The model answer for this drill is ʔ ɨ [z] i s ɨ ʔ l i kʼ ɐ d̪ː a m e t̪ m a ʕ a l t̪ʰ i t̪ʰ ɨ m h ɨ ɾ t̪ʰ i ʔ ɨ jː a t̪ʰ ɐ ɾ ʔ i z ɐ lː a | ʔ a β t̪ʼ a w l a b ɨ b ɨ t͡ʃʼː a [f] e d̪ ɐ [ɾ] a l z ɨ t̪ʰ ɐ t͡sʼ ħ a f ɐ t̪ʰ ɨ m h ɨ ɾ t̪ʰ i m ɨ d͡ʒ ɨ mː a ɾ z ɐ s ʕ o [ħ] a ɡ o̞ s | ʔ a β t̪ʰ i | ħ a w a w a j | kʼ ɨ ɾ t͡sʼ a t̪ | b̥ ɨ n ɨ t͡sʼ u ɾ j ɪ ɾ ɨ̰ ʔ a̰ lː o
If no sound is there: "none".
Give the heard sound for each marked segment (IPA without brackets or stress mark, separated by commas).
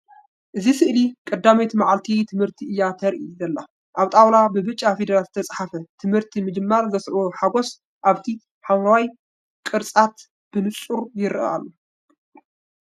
z, f, ɾ, ħ